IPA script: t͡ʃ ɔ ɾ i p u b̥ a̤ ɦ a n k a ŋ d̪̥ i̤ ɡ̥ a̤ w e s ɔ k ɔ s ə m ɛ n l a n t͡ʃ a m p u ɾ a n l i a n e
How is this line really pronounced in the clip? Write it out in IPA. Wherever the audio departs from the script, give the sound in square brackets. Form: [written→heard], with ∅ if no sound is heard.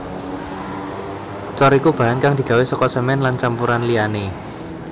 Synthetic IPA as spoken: t͡ʃ ɔ ɾ i [p→k] u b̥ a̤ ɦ a n k a ŋ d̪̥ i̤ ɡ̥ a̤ w e s ɔ k ɔ s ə m ɛ n l a n t͡ʃ a m p u ɾ a n l i a n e

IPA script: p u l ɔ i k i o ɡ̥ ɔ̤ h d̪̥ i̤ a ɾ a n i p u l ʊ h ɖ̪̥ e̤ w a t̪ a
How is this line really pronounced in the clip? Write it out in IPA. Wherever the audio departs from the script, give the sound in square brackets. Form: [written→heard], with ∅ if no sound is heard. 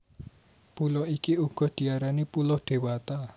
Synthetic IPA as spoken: p u l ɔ i k i [o→u] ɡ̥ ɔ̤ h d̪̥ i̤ a ɾ a n i p u l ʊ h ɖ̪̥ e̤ w a t̪ a

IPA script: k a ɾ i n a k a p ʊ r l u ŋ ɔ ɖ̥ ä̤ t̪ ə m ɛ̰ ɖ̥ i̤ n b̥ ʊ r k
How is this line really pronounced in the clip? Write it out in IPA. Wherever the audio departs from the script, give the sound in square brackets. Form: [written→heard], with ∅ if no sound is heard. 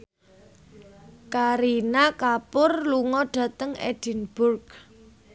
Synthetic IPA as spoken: k a ɾ i n a k a p ʊ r l u ŋ ɔ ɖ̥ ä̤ t̪ ə [m→ŋ] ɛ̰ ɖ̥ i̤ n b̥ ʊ r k

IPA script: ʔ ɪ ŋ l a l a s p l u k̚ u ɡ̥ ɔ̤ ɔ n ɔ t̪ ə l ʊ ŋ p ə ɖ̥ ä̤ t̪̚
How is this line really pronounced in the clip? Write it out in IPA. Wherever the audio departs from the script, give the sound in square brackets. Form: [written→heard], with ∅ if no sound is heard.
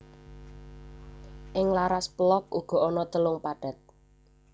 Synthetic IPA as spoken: ʔ ɪ ŋ l a [l→ɾ] a s p l [u→ɔ] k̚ u ɡ̥ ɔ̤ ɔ n ɔ t̪ ə l ʊ ŋ p [ə→a] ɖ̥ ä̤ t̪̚

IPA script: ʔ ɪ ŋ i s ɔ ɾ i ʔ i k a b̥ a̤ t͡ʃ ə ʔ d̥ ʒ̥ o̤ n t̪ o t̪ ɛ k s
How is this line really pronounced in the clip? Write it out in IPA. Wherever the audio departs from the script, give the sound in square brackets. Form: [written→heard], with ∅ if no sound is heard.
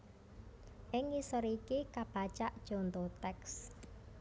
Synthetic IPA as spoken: ʔ ɪ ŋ i s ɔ ɾ i [ʔ→k] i k a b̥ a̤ t͡ʃ [ə→a] ʔ d̥ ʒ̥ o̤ n t̪ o t̪ ɛ k s

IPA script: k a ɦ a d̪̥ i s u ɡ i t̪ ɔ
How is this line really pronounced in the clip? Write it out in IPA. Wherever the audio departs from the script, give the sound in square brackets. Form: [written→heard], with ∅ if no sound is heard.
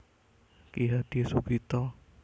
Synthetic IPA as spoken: k [a→i] ɦ a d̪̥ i s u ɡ i t̪ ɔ

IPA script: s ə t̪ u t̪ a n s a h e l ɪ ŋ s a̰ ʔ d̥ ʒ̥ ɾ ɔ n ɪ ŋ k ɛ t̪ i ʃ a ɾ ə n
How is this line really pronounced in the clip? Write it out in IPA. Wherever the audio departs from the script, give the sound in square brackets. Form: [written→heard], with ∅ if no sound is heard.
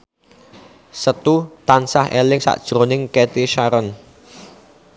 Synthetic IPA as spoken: s ə t̪ u t̪ a n s a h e l ɪ ŋ s a̰ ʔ d̥ ʒ̥ ɾ [ɔ→o] n ɪ ŋ k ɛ t̪ i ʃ a ɾ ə n

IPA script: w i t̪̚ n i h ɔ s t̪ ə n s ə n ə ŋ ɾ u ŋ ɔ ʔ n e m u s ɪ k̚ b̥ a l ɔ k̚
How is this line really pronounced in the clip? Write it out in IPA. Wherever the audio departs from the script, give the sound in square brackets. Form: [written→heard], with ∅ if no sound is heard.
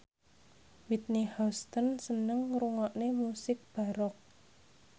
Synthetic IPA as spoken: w i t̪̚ n i h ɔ s t̪ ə n s ə n ə ŋ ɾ u ŋ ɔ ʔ n e m u s ɪ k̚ b̥ a [l→ɾ] ɔ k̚

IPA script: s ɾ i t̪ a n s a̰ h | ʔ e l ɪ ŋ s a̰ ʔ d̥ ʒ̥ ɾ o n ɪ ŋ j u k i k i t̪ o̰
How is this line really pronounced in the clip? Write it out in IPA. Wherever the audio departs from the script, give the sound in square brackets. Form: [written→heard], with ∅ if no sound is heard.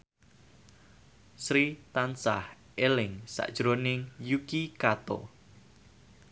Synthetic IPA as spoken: s ɾ i t̪ a n s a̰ h | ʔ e l ɪ ŋ s a̰ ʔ d̥ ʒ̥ ɾ o n ɪ ŋ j u k i k [i→a] t̪ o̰

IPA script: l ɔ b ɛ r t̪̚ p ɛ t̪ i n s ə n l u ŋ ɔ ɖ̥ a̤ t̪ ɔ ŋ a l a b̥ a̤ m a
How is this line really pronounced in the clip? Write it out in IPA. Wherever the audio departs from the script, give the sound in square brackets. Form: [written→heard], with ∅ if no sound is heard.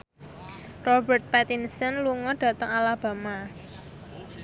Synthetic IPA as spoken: [l→r] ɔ b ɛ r t̪̚ p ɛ t̪ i n s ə n l u ŋ ɔ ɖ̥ a̤ t̪ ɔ ŋ a l a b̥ a̤ m a

